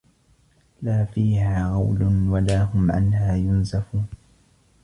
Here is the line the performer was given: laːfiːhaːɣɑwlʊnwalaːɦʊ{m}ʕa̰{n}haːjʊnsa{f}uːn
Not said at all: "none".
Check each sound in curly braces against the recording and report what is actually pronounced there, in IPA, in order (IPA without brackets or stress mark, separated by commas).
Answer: m, n, f